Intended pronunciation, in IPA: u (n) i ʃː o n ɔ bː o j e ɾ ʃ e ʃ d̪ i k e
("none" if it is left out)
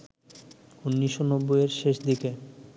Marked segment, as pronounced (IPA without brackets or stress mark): nː